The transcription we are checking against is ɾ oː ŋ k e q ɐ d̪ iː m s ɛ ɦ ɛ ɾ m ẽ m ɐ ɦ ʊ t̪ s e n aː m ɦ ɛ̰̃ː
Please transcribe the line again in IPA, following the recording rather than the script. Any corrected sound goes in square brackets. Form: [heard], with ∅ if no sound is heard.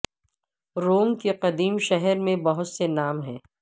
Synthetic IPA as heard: ɾ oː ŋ k e q ɐ d̪ iː m [ʃ] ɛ ɦ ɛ ɾ m ẽ [b] ɐ ɦ ʊ t̪ s e n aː m ɦ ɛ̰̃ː